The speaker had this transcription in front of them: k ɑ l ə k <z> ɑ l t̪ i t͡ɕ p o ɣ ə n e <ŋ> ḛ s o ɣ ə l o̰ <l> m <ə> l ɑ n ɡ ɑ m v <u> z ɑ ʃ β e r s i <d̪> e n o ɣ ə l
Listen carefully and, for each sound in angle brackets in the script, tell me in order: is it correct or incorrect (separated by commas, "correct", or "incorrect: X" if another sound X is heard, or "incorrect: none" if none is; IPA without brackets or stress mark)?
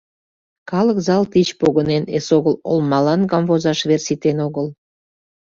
correct, incorrect: n, correct, incorrect: ɑ, incorrect: o, incorrect: t̪